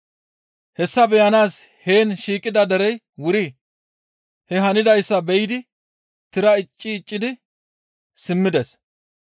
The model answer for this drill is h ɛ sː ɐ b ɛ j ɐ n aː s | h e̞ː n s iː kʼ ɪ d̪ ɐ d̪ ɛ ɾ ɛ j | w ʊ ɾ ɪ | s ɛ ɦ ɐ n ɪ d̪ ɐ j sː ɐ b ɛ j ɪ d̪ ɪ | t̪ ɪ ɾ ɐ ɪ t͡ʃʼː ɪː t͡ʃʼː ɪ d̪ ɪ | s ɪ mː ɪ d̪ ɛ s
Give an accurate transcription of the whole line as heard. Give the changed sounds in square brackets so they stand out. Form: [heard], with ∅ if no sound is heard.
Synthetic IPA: h ɛ sː ɐ b ɛ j ɐ n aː s | h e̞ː n [ʃ] iː kʼ ɪ d̪ ɐ d̪ ɛ ɾ ɛ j | w ʊ ɾ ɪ | [h] ɛ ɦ ɐ n ɪ d̪ ɐ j sː ɐ b ɛ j ɪ d̪ ɪ | t̪ ɪ ɾ ɐ ɪ t͡ʃʼː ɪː t͡ʃʼː ɪ d̪ ɪ | s ɪ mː ɪ d̪ ɛ s